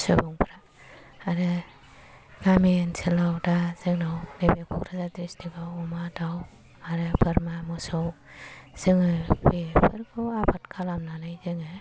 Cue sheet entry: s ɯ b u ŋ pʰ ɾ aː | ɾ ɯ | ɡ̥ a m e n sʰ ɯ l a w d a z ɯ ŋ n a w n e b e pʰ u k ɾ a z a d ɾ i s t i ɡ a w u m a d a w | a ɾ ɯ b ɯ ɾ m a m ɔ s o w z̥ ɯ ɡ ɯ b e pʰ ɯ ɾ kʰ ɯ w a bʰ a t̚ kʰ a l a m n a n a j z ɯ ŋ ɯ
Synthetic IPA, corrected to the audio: s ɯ b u ŋ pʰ ɾ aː | ɾ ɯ | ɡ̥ a m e n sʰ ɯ l a w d a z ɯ ŋ n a w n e b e kʰ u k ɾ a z a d ɾ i s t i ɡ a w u m a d a w | a ɾ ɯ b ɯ ɾ m a m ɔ s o w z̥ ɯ ŋ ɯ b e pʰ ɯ ɾ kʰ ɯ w a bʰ a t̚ kʰ a l a m n a n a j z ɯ ŋ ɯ

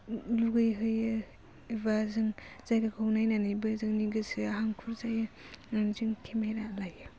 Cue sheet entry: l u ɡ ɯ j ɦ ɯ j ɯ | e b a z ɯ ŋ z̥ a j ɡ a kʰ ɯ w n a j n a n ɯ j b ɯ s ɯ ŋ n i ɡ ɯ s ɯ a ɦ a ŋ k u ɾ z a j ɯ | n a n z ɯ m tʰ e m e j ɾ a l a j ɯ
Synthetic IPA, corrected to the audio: l u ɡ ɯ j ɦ ɯ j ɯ | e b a z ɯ ŋ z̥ a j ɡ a kʰ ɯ w n a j n a n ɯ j b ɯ z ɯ ŋ n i ɡ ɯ s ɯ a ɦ a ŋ kʰ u ɾ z a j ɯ | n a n z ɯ ŋ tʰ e m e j ɾ a l a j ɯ

